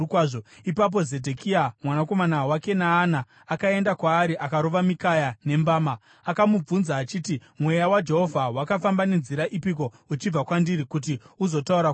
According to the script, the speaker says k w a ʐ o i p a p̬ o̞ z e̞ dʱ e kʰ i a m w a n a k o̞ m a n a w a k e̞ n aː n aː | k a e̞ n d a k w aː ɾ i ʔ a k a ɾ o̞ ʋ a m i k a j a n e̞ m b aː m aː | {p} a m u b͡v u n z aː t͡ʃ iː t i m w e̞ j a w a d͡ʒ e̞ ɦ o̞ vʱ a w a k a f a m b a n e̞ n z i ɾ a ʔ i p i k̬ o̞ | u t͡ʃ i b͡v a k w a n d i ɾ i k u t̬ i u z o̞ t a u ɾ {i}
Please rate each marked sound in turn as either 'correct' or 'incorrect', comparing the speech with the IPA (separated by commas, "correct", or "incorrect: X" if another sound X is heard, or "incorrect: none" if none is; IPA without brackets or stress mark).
incorrect: k, incorrect: a